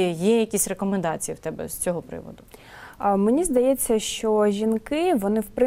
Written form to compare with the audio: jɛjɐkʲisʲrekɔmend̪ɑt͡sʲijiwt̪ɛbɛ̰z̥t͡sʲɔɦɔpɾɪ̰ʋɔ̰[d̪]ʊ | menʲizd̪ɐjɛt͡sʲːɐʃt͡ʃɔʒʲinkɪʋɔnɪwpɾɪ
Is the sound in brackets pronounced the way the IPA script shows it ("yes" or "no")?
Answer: yes